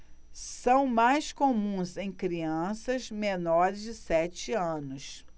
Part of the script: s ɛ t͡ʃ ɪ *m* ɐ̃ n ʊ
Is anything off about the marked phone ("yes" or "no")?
yes